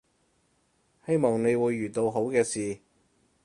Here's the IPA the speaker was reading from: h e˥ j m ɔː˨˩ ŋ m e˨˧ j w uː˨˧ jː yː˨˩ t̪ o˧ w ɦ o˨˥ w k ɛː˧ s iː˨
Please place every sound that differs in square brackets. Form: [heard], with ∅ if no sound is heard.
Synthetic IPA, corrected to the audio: h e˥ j m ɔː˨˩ ŋ [n] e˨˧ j w uː˨˧ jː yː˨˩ t̪ o˧ w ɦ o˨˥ w k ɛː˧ s iː˨

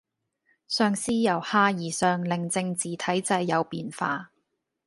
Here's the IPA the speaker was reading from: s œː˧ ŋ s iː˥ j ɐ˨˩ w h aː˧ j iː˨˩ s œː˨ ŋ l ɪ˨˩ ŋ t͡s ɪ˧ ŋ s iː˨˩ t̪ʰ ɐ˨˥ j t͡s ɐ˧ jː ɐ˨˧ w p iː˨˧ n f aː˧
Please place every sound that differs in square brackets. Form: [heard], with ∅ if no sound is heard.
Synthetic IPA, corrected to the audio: s œː˧ ŋ s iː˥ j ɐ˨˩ w h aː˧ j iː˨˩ s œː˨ ŋ l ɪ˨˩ ŋ t͡s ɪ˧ ŋ [t͡s] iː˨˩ t̪ʰ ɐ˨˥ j t͡s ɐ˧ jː ɐ˨˧ w p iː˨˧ n f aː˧

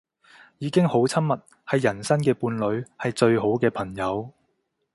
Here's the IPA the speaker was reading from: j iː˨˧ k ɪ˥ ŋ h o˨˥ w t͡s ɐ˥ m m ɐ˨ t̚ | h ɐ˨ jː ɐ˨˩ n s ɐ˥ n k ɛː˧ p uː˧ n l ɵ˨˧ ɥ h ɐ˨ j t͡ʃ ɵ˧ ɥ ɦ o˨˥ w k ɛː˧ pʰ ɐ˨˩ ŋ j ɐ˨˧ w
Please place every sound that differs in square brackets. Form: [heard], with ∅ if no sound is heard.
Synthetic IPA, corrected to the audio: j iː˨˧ k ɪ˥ ŋ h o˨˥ w [t͡sʰ] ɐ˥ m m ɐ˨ t̚ | h ɐ˨ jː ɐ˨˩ n s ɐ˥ n k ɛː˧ p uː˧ n l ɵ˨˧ ɥ h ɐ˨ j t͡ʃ ɵ˧ ɥ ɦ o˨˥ w k ɛː˧ pʰ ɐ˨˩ ŋ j ɐ˨˧ w

